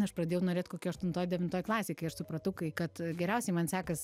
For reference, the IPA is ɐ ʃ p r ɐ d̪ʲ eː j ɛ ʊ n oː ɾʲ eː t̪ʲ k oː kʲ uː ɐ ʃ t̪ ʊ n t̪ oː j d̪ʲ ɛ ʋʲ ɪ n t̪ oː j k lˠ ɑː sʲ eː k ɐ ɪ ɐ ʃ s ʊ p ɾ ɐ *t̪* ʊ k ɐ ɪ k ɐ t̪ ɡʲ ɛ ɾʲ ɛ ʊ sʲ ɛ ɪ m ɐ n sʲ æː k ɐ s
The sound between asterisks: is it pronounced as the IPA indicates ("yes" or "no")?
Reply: yes